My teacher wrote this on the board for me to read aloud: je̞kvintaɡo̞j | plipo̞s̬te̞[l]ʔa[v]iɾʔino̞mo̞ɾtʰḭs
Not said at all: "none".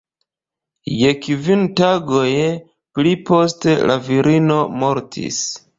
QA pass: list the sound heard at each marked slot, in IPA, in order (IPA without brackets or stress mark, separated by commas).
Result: l, v